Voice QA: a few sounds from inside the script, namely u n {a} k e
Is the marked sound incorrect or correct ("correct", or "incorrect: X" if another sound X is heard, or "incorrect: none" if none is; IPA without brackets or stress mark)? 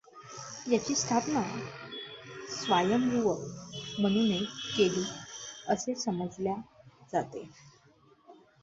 incorrect: e